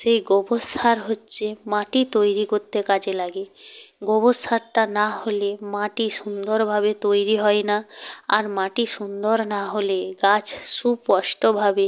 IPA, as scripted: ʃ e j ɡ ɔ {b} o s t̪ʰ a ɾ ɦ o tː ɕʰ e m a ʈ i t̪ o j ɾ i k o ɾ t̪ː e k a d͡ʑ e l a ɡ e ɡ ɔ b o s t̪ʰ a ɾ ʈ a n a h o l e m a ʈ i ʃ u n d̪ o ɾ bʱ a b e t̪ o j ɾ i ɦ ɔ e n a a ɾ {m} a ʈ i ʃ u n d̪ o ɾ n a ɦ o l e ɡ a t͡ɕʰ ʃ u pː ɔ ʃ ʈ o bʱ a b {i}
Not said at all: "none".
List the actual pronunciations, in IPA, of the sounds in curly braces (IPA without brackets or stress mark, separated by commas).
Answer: b, m, e